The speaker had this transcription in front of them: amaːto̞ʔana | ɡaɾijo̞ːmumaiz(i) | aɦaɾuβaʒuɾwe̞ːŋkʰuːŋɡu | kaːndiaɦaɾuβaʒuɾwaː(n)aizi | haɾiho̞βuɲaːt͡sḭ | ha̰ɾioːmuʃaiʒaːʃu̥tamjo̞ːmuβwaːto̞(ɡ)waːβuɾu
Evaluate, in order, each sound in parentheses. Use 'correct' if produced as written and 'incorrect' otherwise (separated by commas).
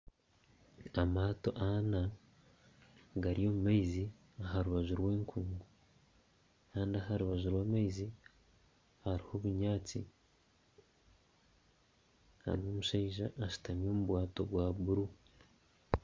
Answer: correct, incorrect, correct